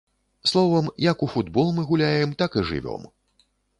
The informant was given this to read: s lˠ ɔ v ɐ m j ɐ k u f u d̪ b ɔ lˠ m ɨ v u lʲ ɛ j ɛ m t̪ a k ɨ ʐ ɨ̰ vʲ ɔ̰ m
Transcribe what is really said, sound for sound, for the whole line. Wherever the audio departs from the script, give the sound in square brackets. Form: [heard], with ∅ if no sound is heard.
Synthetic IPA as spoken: s lˠ ɔ v ɐ m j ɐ k u f u d̪ b ɔ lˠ m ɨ [ɣ] u lʲ [a] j ɛ m t̪ a k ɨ ʐ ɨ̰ vʲ ɔ̰ m